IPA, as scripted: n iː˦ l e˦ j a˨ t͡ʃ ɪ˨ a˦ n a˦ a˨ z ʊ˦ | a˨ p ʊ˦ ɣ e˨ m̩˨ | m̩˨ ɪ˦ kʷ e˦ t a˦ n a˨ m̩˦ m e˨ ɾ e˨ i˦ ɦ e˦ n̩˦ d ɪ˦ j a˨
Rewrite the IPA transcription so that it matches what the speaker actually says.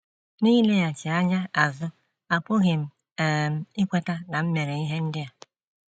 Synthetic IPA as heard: n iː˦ l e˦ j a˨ t͡ʃ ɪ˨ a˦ ɲ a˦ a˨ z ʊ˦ | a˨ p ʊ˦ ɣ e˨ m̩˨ | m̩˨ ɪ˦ kʷ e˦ t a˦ n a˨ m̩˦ m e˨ ɾ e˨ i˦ ɦ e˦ n̩˦ d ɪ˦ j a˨